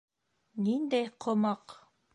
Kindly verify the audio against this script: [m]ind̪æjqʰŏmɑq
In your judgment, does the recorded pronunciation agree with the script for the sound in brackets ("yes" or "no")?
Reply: no